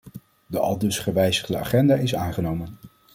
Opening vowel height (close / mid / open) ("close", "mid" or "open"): mid